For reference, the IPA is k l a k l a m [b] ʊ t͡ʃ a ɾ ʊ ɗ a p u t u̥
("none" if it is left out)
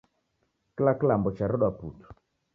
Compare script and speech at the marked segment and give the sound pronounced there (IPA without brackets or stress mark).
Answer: b